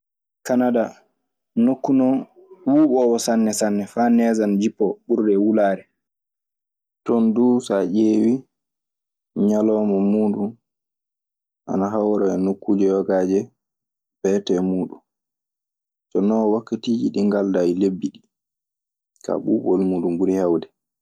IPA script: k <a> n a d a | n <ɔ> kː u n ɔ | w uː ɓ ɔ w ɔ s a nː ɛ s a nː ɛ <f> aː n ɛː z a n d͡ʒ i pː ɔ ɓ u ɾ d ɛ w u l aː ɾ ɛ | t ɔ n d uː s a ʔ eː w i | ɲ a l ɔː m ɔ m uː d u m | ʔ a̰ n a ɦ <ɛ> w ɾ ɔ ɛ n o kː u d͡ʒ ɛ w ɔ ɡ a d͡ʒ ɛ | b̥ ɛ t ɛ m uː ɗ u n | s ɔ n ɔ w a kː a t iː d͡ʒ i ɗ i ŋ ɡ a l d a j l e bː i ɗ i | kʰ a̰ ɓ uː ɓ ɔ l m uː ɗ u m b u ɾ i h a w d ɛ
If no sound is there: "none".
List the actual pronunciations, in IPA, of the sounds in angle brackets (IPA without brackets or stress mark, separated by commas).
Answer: a, o, f, a